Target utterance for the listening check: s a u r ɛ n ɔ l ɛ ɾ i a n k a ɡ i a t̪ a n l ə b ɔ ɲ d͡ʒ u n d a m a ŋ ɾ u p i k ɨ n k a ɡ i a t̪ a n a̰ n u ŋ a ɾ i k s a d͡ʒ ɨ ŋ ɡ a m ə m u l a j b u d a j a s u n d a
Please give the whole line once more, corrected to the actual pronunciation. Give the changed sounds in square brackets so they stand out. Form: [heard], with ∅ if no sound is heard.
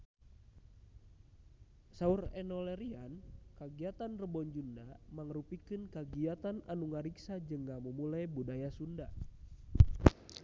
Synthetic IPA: s a u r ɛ n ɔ l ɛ ɾ i a n k a ɡ i a t̪ a n [r] ə b ɔ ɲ d͡ʒ u n d a m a ŋ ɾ u p i k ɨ n k a ɡ i a t̪ a n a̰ n u ŋ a ɾ i k s a d͡ʒ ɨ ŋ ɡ a m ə m u l a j b u d a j a s u n d a